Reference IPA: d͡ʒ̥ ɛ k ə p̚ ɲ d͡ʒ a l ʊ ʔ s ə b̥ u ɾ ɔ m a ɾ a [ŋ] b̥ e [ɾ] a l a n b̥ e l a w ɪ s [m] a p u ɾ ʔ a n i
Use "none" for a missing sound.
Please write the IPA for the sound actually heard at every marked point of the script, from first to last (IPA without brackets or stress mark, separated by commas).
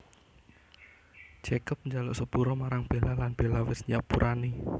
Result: ŋ, l, ɲ